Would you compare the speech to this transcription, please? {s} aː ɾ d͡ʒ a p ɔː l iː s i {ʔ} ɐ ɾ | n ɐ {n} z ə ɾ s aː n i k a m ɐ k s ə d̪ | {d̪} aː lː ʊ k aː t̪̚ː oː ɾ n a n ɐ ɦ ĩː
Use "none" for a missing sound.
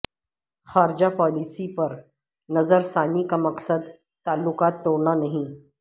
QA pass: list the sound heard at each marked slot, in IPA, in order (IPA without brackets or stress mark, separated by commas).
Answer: x, p, none, t̪